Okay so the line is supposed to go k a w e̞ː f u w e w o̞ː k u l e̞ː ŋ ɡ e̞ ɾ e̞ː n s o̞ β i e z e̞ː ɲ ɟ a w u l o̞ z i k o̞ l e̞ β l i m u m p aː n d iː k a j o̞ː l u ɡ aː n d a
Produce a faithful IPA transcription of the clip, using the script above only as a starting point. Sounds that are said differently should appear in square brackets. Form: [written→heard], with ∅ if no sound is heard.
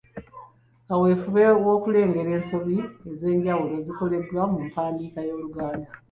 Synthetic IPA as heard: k a w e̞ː f u [w→β] e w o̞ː k u l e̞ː ŋ ɡ e̞ ɾ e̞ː n s o̞ β i e z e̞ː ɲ ɟ a w u l o̞ z i k o̞ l e̞ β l [i→a] m u m p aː n d iː k a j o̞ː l u ɡ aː n d a